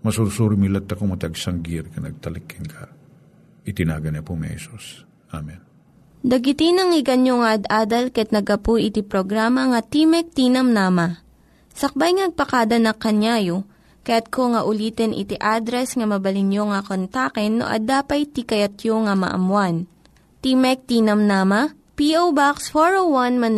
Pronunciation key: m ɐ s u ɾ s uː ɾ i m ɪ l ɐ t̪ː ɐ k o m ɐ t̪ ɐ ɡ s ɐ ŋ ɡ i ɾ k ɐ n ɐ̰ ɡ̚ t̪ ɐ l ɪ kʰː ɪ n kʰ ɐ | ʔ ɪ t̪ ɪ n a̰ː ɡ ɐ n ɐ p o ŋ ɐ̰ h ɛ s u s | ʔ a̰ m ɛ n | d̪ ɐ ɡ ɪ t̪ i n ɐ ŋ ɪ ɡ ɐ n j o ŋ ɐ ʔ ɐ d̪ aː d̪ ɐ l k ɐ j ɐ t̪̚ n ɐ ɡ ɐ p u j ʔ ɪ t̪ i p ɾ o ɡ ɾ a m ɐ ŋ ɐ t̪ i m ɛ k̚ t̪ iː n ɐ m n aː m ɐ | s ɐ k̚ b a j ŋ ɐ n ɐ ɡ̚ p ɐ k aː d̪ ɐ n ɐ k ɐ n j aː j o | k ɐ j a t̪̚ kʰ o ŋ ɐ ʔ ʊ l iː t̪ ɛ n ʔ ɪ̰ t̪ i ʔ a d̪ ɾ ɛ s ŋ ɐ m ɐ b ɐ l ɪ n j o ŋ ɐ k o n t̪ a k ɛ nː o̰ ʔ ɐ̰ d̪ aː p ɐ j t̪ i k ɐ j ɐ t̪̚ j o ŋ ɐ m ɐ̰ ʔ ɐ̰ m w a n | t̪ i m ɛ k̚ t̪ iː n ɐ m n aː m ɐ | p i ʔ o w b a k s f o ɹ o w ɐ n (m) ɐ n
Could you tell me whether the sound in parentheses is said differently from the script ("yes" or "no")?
no